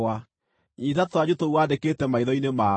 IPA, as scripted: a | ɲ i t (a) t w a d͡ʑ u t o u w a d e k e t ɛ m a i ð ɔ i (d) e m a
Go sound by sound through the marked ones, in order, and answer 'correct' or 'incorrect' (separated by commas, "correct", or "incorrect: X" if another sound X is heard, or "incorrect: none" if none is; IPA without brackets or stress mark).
correct, incorrect: n